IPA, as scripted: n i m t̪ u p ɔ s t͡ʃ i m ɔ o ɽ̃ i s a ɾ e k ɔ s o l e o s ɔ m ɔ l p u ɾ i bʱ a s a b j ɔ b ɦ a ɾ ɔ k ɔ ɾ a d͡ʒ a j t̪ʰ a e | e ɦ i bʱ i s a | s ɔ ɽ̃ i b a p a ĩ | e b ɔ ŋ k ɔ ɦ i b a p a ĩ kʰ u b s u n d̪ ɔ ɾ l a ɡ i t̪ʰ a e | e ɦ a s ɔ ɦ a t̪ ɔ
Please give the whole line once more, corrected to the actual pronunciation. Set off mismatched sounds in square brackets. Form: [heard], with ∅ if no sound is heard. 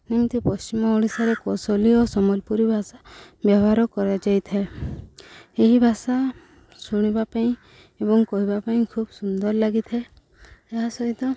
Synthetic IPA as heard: n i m t̪ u p ɔ s t͡ʃ i m ɔ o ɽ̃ i s a ɾ e k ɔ s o l [i] o s ɔ m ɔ l p u ɾ i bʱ a s a b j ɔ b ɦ a ɾ ɔ k ɔ ɾ a d͡ʒ a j t̪ʰ a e | e ɦ i bʱ [a] s a | s [u] ɽ̃ i b a p a ĩ | e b ɔ ŋ k ɔ ɦ i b a p a ĩ kʰ u b s u n d̪ ɔ ɾ l a ɡ i t̪ʰ a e | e ɦ a s ɔ ɦ [i] t̪ ɔ